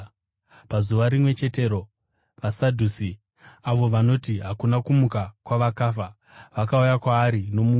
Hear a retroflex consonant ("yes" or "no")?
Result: no